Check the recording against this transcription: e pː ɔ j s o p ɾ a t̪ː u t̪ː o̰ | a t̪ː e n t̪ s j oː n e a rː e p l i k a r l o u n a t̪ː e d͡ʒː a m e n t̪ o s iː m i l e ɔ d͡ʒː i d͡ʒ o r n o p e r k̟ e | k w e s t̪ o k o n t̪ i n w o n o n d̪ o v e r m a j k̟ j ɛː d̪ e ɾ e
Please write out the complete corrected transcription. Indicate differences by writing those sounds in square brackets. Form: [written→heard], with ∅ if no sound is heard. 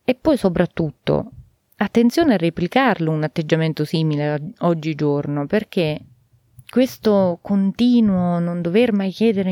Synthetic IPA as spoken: e pː ɔ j s o p ɾ a t̪ː u t̪ː o̰ | a t̪ː e n t̪ s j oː n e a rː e p l i k a r l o u n a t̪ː e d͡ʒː a m e n t̪ o s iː m i l e ɔ d͡ʒː i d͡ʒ o r n o p e r k̟ e | k w e s t̪ o k o n t̪ [i→iː] n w o n o n d̪ o v e r m a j k̟ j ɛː d̪ e ɾ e